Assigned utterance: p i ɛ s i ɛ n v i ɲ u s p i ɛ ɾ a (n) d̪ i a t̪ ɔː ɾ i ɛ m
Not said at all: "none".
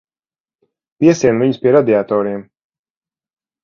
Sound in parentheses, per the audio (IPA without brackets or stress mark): none